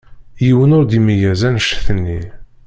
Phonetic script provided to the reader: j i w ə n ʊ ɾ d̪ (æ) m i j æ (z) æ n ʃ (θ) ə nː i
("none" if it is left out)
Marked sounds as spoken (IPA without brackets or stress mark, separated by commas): i, z, θ